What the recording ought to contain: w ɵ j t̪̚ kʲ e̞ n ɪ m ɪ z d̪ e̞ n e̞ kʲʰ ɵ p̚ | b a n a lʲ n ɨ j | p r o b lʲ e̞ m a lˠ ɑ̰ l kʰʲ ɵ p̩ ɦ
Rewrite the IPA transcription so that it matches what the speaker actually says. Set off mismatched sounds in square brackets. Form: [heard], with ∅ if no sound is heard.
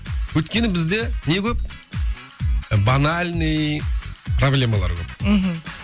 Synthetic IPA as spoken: w ɵ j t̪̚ kʲ e̞ n ɪ [b] ɪ z d̪ e̞ n e̞ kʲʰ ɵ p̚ | b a n a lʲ n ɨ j | p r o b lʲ e̞ m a lˠ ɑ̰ [ɾ] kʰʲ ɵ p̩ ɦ

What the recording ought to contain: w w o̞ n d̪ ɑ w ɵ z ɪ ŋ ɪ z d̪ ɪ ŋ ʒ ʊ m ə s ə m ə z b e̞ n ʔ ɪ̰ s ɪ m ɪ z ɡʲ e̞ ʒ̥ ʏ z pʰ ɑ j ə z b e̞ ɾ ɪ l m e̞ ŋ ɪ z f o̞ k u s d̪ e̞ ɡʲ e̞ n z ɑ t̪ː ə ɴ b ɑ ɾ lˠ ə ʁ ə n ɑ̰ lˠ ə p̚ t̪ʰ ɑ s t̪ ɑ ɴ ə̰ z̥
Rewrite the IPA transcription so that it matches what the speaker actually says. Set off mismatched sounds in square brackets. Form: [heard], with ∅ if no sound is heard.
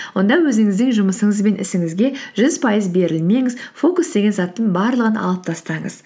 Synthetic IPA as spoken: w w o̞ n d̪ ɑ w ɵ z ɪ ŋ ɪ z d̪ ɪ ŋ ʒ ʊ m ə s ə [ɴ] ə z b e̞ n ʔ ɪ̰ s ɪ [ŋ] ɪ z ɡʲ e̞ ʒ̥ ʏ z pʰ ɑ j ə z b e̞ ɾ ɪ l m e̞ ŋ ɪ z f o̞ k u s d̪ e̞ ɡʲ e̞ n z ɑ t̪ː ə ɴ b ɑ ɾ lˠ ə ʁ ə n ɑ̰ lˠ ə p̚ t̪ʰ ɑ s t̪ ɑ ɴ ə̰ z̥

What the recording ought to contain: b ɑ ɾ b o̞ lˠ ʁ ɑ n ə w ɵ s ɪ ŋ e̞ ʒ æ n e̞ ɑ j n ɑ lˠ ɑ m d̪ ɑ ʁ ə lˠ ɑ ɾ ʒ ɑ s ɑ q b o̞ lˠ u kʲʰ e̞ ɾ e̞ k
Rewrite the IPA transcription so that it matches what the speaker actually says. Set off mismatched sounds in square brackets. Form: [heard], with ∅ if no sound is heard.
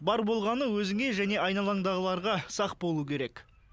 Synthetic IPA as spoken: b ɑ ɾ b o̞ lˠ ʁ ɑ n ə w ɵ [z] ɪ ŋ e̞ ʒ æ n e̞ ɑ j n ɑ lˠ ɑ [ɴ] d̪ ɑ ʁ ə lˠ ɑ ɾ [ʁ] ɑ s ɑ q b o̞ lˠ u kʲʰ e̞ ɾ e̞ k

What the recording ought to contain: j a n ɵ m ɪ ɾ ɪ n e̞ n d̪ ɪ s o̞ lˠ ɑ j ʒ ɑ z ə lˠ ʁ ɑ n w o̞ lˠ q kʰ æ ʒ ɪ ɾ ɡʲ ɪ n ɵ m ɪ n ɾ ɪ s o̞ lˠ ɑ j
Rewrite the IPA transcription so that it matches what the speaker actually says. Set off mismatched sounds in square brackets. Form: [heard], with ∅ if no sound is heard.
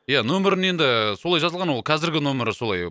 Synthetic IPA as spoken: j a n ɵ m ɪ ɾ ɪ n e̞ n d̪ ɪ s o̞ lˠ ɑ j ʒ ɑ z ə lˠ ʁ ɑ n w o̞ lˠ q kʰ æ [z] ɪ ɾ ɡʲ ɪ n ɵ m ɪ [∅] ɾ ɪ s o̞ lˠ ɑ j

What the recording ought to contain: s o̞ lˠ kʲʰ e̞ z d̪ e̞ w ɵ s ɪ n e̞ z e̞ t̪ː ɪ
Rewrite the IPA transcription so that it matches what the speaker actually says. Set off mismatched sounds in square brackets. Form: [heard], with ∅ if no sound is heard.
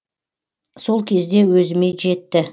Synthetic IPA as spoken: s o̞ lˠ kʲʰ e̞ z d̪ e̞ w ɵ [z] ɪ [m] e̞ [ʒ] e̞ t̪ː ɪ

